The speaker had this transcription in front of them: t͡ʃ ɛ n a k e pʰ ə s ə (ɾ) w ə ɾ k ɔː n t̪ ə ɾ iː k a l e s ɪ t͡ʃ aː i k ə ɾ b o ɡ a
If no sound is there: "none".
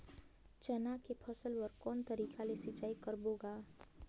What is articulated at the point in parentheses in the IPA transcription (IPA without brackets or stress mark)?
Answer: l